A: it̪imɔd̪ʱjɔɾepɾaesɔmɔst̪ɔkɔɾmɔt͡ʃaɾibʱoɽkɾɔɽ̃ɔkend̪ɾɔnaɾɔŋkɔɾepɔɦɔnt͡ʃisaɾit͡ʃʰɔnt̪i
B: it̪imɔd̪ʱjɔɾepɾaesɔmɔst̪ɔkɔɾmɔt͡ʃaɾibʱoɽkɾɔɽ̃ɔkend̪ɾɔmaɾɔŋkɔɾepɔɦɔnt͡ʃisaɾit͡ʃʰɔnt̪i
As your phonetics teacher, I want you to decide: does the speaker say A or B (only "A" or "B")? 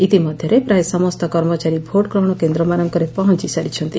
B